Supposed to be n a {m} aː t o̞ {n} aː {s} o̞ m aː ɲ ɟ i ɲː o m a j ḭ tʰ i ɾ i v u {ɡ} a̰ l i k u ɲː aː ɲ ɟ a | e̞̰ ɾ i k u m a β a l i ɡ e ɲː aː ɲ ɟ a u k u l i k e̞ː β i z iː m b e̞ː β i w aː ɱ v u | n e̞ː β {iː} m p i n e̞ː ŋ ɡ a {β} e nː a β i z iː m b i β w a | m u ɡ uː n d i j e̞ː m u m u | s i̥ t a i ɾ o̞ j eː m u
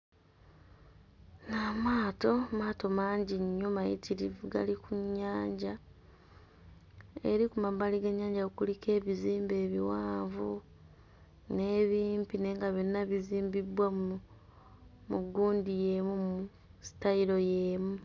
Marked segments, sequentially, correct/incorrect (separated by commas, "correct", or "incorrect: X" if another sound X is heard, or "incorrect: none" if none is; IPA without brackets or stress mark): correct, incorrect: m, incorrect: t, correct, correct, correct